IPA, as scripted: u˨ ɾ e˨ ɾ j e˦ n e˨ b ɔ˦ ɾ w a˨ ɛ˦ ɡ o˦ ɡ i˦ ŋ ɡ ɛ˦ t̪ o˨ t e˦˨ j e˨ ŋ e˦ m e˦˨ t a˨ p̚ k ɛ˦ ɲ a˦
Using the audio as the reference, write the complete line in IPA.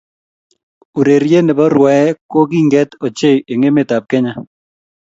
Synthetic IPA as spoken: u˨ ɾ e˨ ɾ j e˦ n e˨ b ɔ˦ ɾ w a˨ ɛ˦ k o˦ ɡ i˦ ŋ ɡ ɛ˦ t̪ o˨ t͡ʃ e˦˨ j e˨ ŋ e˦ m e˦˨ t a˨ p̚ k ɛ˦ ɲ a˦